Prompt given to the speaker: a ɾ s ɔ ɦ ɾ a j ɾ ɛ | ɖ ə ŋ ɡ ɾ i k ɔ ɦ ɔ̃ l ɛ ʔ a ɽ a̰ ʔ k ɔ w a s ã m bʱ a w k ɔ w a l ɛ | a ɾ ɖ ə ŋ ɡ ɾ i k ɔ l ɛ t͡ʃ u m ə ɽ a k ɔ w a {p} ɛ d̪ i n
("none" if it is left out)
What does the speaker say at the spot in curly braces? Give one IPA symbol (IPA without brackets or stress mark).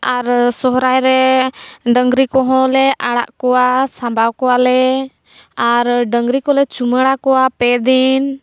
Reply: p